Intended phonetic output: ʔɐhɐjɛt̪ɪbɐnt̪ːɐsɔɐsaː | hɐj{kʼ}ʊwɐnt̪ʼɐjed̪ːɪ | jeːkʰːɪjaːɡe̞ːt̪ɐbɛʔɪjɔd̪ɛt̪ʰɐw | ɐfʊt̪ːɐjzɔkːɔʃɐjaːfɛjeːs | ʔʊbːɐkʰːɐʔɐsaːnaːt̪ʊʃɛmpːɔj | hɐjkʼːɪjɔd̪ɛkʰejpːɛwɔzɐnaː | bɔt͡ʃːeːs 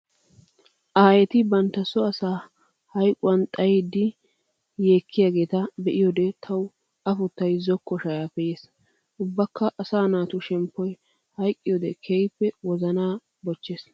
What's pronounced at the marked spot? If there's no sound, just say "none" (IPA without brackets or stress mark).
kʼ